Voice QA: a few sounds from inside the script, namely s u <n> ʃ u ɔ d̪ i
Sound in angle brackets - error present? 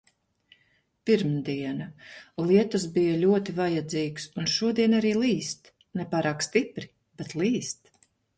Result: no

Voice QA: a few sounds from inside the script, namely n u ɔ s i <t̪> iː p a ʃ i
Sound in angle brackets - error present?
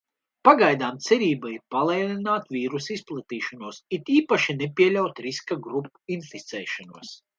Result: no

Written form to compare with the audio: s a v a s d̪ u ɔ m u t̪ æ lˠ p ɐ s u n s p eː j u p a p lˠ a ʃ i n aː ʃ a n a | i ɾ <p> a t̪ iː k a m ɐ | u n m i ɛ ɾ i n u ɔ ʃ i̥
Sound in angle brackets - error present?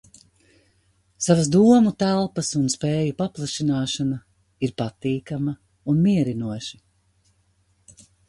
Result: no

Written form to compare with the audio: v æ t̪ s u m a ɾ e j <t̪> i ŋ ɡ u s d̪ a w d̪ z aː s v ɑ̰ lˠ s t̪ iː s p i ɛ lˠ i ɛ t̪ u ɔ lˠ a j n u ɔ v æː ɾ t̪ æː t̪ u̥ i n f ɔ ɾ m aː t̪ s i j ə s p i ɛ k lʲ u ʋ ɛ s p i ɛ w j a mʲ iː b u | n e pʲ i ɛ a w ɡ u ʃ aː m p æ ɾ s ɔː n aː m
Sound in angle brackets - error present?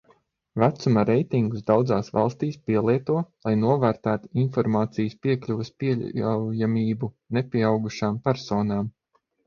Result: no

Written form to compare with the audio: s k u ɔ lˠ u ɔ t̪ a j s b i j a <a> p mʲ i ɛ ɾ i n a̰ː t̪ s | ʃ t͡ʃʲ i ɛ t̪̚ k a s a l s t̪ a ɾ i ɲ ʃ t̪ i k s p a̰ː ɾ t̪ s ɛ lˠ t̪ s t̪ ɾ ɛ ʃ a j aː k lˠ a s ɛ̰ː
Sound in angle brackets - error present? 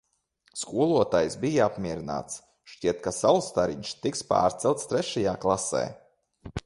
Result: no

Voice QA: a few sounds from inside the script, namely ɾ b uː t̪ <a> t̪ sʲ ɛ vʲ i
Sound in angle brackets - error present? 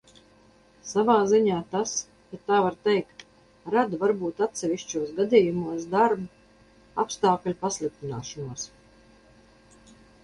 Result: no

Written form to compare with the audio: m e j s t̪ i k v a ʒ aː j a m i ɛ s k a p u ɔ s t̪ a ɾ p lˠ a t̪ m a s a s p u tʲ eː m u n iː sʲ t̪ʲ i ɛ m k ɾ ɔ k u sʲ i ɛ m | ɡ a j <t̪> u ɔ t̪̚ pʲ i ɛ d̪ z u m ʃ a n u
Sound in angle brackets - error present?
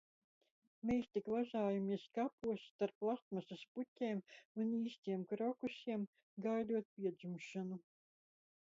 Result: yes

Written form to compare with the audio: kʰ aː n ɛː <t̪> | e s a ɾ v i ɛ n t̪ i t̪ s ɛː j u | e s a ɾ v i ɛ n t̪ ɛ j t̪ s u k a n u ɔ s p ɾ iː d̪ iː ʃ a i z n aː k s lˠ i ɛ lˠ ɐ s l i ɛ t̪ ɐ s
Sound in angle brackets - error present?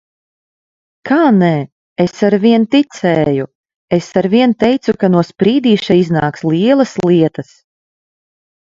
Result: yes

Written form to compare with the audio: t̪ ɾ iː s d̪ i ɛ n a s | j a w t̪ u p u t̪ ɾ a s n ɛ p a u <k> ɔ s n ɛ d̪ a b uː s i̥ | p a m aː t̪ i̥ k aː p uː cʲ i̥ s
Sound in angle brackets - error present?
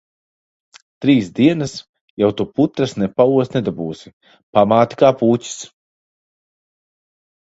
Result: yes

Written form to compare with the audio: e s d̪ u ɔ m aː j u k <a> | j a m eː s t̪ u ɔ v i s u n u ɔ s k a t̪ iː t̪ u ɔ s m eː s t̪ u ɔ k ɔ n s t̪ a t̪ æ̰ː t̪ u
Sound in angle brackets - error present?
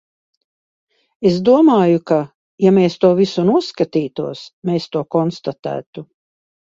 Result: no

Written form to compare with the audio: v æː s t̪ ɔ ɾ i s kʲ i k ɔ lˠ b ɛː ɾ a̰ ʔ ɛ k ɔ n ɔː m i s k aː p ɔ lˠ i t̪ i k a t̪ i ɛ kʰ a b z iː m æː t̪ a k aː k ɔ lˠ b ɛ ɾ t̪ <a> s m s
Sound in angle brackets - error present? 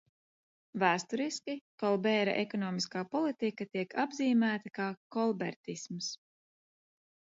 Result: yes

